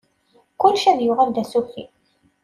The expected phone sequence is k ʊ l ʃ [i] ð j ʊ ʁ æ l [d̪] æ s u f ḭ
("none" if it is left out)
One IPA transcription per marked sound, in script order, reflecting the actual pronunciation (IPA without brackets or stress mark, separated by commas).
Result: æ, d̪